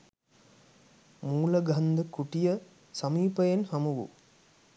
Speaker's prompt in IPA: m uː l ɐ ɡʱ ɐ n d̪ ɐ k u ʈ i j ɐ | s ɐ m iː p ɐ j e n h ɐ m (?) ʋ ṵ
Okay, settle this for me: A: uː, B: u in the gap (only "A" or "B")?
B